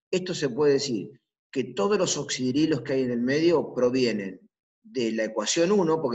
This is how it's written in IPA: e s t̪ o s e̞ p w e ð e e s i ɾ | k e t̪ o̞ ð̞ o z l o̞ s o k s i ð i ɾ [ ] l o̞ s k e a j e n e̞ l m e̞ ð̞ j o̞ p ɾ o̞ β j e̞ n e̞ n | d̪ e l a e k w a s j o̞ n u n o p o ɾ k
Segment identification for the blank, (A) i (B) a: A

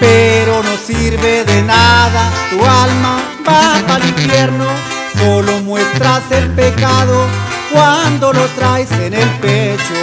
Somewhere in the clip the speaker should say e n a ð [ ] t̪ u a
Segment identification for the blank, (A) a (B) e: A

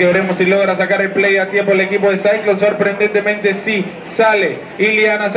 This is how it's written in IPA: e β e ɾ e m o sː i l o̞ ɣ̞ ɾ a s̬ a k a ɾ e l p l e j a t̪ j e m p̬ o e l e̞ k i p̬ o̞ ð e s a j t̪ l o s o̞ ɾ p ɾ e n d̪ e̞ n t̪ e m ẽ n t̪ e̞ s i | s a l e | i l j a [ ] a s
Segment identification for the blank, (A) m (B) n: B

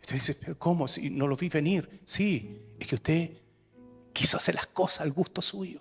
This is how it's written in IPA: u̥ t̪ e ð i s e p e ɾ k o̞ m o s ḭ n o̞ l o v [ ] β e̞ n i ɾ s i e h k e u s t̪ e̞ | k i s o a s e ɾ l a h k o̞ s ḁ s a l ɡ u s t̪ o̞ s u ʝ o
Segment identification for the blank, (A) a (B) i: B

